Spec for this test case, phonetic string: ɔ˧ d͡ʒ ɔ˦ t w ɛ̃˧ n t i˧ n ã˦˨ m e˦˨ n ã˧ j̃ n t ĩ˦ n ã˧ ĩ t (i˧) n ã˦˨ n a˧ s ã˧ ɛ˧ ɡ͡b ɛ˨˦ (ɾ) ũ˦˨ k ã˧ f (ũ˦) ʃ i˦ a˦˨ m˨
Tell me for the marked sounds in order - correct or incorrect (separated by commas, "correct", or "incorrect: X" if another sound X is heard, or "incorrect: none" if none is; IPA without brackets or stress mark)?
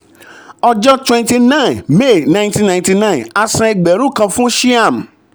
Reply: correct, correct, correct